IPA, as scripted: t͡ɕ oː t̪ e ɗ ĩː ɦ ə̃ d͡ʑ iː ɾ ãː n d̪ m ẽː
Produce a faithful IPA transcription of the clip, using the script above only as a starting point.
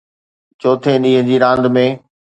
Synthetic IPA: t͡ɕ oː t̪ʰ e ɗ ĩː ɦ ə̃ d͡ʑ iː ɾ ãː n d̪ m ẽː